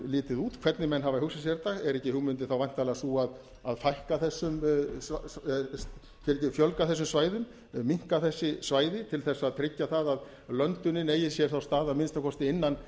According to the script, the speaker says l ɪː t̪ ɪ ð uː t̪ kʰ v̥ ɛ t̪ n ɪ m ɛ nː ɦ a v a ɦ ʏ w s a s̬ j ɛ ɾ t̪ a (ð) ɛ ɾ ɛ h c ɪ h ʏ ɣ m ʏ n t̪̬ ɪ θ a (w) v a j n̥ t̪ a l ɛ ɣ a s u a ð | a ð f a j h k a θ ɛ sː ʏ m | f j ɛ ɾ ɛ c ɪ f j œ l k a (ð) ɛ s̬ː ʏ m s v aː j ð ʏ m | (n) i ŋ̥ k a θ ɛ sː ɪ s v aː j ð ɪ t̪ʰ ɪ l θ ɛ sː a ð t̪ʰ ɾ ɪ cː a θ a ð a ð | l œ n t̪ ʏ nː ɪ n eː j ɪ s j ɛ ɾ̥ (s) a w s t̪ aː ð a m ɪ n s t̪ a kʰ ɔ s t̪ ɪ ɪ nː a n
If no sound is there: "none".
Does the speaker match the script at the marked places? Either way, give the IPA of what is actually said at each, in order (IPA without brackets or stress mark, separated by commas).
ɣ, w, θ, m, θ